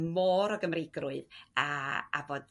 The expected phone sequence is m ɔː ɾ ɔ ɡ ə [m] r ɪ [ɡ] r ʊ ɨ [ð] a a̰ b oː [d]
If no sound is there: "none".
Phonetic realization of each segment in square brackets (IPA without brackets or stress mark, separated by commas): m, ɡ, ð, d